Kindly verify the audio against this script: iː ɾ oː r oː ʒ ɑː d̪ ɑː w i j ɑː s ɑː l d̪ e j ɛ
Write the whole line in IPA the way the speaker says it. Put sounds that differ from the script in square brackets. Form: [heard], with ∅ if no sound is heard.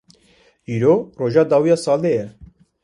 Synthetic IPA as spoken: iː ɾ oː r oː ʒ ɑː d̪ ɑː w i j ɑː s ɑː l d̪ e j ɛ